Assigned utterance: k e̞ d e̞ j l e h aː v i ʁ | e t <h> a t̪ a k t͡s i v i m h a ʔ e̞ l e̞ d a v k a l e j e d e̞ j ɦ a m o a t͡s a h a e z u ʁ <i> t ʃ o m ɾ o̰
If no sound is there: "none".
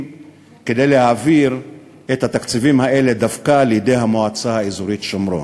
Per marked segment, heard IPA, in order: h, i

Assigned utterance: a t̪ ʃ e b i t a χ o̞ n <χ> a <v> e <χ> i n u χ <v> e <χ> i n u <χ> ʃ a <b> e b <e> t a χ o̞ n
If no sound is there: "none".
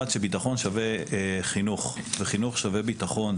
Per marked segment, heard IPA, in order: ʃ, v, χ, v, χ, χ, v, i

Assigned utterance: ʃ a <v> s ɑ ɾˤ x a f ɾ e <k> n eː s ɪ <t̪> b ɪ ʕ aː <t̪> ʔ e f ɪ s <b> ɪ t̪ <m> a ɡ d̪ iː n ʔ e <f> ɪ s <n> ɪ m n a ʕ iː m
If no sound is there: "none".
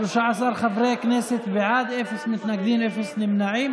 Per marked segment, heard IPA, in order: ʕ, k, t̪, d̪, m, n, f, n

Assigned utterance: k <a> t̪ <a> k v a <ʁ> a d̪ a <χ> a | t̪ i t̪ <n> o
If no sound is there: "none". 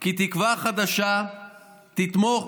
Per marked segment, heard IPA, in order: i, i, χ, ʃ, m

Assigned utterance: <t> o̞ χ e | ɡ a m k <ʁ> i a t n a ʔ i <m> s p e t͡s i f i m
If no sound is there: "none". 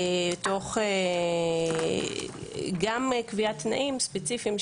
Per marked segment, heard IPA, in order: t, v, m

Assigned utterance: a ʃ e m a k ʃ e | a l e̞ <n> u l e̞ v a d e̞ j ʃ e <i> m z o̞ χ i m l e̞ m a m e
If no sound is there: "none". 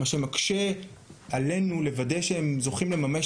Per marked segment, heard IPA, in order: n, e

